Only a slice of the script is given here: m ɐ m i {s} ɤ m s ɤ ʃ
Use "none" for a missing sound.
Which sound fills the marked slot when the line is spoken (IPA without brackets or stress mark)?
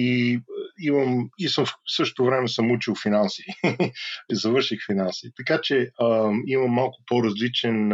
s